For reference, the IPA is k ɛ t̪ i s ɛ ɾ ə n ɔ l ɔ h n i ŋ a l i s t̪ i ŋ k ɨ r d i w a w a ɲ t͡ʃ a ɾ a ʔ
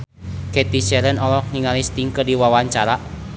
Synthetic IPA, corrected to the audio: k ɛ t̪ i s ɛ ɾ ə n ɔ l ɔ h n i ŋ a l i s t̪ i ŋ k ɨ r d i w a w a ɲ t͡ʃ a ɾ a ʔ